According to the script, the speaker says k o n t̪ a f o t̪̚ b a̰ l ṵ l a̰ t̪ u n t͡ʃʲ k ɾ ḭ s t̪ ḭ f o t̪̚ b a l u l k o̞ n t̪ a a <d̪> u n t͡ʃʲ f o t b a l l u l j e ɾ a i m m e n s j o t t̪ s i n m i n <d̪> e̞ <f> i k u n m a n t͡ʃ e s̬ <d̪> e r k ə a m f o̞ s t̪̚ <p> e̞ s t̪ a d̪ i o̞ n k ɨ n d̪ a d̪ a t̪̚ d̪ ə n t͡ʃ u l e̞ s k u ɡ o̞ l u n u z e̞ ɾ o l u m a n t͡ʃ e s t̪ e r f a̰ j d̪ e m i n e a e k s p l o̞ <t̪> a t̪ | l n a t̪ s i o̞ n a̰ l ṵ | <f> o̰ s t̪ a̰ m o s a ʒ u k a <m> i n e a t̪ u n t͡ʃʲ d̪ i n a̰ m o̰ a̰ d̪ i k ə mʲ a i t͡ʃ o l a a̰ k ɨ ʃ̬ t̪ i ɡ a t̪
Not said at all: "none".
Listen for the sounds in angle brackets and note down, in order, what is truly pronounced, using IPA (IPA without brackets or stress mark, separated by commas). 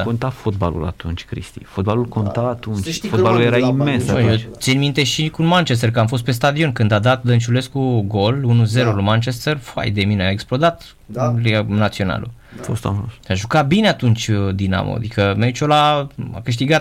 t̪, t̪, ʃ, t̪, p, d̪, f, b